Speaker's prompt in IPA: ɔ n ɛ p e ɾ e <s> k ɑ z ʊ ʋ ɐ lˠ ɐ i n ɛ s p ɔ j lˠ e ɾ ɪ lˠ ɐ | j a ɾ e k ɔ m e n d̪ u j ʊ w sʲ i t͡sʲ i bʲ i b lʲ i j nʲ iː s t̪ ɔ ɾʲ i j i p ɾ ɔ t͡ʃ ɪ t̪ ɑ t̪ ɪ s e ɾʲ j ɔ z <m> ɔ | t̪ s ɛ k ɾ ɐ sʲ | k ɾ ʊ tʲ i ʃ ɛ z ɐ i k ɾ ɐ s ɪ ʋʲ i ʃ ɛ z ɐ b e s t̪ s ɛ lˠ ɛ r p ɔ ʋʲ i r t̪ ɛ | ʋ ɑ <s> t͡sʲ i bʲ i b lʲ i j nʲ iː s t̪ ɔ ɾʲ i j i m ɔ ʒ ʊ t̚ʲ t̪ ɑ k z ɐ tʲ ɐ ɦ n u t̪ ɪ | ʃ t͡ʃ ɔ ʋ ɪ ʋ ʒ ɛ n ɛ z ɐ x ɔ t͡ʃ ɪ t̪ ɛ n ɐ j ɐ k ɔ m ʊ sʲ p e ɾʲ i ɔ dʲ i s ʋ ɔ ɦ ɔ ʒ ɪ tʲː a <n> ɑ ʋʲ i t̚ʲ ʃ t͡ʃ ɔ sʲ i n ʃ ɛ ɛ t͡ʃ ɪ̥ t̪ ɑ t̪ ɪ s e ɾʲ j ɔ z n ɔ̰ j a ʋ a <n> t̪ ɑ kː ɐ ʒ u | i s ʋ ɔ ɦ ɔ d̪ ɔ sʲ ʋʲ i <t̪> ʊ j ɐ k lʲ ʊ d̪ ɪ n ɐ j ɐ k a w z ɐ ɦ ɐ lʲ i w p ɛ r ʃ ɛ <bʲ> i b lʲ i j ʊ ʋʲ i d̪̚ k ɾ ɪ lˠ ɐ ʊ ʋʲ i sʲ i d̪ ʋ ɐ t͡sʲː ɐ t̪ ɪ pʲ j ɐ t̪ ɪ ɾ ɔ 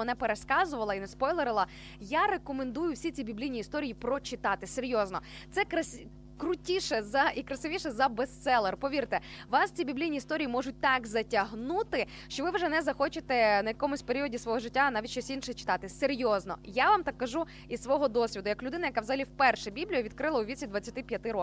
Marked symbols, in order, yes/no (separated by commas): yes, no, yes, yes, no, no, yes